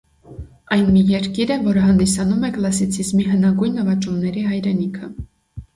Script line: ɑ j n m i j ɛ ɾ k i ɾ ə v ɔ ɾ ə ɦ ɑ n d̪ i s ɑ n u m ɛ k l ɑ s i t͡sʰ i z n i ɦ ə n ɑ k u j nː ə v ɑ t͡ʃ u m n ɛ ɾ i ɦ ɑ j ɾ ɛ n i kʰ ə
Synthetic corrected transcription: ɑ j n m i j ɛ ɾ k i ɾ ə v ɔ ɾ ə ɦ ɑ n d̪ i s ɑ n u m ɛ k l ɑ s i t͡sʰ i z m i ɦ ə n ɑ ɡ u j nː ə v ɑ t͡ʃ u m n ɛ ɾ i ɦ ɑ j ɾ ɛ n i kʰ ə